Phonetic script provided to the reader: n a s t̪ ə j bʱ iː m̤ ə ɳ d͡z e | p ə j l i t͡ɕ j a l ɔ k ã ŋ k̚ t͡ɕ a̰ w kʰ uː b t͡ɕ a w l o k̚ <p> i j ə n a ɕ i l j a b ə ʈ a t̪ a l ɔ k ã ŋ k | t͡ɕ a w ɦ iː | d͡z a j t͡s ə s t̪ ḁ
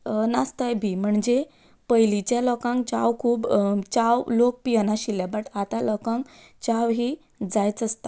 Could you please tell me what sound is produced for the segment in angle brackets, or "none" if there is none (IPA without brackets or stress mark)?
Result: p